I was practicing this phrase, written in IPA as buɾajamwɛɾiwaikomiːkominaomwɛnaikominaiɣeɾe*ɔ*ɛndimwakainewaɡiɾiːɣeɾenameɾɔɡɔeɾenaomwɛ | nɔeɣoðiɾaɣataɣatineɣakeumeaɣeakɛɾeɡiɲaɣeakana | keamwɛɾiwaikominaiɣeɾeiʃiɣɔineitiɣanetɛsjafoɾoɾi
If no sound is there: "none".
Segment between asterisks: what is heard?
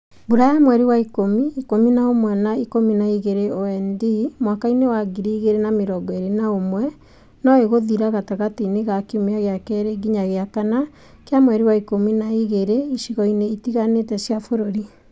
o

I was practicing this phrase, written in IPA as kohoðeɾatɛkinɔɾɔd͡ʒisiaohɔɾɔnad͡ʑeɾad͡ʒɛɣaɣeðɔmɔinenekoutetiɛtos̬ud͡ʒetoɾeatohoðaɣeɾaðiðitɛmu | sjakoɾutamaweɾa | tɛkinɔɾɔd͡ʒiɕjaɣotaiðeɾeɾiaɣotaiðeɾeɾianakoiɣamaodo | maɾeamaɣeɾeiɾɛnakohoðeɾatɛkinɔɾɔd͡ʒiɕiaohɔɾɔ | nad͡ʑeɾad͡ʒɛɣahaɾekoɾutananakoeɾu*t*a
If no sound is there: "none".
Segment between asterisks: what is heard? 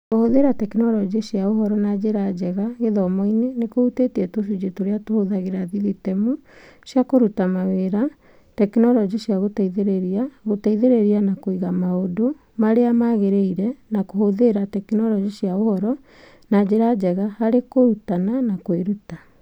t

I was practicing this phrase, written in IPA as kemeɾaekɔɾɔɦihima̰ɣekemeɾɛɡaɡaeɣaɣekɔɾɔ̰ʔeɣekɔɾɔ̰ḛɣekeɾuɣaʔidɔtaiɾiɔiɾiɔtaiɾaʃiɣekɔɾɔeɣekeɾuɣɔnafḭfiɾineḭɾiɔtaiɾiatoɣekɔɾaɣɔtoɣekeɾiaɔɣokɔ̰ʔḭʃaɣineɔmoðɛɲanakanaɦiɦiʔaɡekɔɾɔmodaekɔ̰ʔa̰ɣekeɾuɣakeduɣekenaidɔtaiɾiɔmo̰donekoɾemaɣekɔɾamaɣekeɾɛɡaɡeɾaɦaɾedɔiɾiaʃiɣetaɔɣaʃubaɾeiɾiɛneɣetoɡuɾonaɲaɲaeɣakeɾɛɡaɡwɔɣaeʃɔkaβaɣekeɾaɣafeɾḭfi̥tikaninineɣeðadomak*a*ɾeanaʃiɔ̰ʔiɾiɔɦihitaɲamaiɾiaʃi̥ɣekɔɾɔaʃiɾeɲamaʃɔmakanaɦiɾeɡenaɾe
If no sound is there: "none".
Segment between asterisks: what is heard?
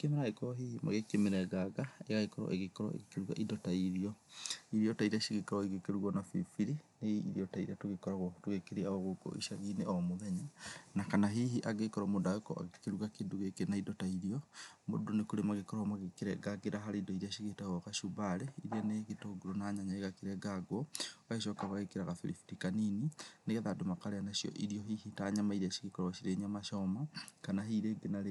a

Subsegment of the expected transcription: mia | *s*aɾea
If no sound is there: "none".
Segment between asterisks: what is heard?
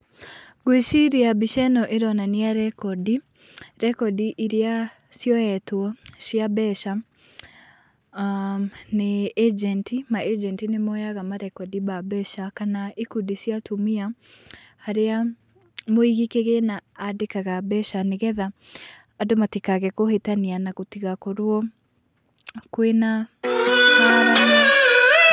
h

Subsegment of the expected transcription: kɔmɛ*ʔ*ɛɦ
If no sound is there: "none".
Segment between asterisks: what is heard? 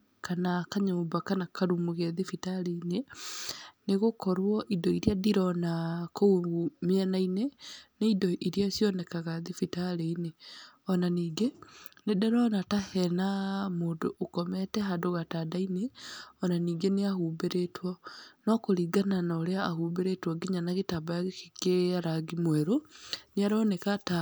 t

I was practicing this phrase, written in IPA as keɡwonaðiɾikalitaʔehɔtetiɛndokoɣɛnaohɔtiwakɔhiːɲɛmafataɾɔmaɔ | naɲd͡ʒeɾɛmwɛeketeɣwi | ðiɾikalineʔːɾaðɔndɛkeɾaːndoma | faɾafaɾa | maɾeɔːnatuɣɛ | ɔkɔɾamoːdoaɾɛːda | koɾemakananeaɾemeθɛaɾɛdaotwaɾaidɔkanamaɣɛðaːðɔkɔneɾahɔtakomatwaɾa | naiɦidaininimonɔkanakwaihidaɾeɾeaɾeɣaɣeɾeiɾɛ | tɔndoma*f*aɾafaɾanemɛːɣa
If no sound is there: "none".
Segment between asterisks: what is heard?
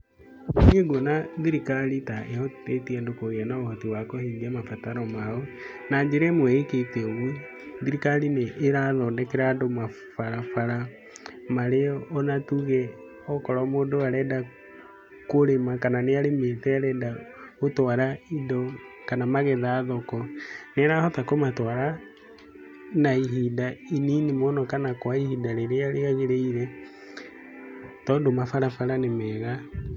f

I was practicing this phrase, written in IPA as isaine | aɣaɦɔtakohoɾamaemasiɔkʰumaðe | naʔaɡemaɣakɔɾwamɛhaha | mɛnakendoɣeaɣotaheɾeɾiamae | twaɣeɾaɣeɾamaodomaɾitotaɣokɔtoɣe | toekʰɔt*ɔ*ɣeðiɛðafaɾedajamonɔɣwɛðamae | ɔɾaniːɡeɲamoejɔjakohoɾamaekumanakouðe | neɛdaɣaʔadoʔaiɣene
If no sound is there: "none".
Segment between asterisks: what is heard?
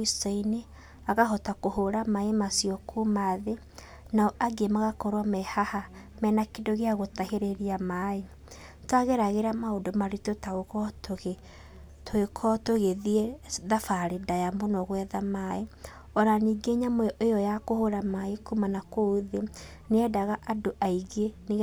o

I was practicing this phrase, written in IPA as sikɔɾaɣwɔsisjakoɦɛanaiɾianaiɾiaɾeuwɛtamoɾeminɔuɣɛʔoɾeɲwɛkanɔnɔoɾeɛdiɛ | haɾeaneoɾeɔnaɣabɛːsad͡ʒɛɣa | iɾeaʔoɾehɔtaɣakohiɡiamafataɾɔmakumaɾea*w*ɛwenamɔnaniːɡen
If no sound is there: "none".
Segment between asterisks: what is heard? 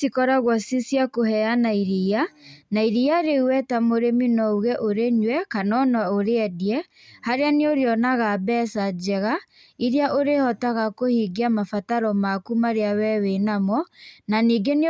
w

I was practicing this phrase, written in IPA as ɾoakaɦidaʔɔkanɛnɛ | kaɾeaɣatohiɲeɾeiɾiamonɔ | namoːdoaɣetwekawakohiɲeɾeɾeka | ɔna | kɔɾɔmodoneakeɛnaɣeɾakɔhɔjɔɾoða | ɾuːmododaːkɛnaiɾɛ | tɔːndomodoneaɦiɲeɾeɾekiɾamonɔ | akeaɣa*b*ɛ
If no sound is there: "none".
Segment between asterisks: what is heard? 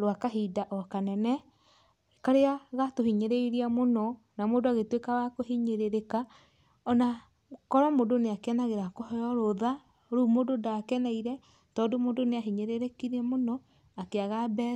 b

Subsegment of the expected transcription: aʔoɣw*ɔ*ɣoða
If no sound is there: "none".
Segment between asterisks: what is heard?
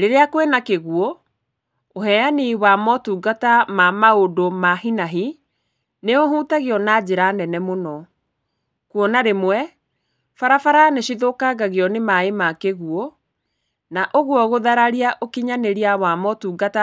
ɔ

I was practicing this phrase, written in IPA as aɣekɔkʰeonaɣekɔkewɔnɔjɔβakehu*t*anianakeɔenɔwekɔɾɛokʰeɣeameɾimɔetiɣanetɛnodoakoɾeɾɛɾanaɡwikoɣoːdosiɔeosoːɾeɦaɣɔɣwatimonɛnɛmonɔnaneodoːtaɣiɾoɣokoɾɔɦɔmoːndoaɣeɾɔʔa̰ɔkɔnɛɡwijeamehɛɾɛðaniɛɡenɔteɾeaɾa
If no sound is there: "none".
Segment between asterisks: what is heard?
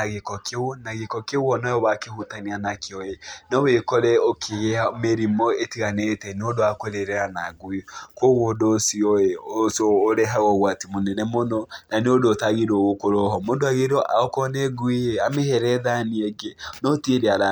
t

